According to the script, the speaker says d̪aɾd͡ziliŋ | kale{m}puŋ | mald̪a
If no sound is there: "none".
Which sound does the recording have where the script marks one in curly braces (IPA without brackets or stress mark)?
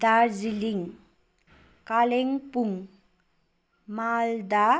ŋ